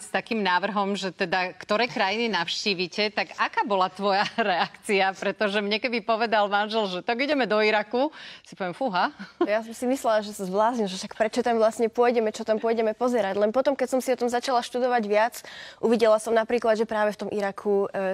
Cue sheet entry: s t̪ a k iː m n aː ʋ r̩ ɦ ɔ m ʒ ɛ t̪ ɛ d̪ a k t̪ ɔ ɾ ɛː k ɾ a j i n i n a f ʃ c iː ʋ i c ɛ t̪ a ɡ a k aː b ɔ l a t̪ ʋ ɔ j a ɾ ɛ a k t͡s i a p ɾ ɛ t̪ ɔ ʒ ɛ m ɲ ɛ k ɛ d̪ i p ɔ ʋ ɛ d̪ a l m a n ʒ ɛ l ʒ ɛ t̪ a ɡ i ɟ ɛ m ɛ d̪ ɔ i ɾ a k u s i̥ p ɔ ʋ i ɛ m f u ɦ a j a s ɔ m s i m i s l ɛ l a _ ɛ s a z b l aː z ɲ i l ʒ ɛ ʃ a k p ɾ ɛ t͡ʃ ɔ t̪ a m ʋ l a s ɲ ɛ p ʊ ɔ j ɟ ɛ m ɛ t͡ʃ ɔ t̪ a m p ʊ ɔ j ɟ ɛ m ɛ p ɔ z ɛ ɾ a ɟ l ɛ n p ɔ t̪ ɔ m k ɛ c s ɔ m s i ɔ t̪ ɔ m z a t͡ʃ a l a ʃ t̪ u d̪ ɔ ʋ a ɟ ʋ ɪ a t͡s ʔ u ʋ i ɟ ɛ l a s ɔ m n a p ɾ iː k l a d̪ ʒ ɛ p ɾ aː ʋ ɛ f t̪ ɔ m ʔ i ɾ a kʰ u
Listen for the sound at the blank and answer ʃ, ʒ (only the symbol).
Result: ʒ